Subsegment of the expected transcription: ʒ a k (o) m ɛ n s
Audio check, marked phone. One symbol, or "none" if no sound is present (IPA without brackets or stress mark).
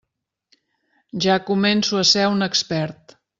u